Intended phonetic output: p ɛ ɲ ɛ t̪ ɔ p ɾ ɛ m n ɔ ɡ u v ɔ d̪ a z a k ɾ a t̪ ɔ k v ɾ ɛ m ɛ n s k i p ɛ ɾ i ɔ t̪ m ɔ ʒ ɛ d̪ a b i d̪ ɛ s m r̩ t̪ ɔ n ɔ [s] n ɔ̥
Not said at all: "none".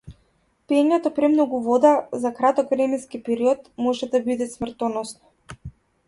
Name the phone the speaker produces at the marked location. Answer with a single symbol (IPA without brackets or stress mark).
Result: s